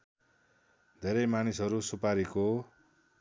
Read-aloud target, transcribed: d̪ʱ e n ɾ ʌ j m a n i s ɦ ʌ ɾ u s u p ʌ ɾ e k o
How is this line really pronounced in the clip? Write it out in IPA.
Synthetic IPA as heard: d̪ʱ e ɾ ʌ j m a n i s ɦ ʌ ɾ u s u p a ɾ i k o